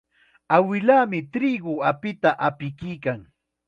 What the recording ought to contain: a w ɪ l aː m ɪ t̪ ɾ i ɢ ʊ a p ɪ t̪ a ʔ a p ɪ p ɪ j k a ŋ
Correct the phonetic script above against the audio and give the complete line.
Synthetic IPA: a w ɪ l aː m ɪ t̪ ɾ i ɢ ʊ a p ɪ t̪ a ʔ a p ɪ k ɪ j k a ŋ